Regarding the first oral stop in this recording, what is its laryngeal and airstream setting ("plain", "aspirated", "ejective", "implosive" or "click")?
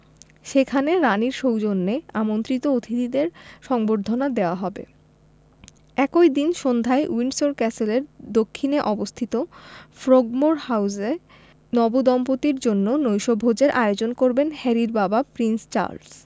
aspirated